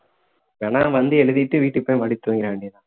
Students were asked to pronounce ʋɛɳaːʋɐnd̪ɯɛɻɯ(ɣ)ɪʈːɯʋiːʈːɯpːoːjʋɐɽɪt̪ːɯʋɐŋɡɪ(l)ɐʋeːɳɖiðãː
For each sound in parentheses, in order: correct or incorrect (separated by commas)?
incorrect, incorrect